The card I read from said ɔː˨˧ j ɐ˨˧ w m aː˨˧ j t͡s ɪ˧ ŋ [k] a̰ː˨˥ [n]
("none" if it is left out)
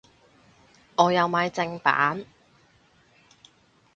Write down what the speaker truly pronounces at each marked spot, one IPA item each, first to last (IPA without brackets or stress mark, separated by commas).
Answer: p, n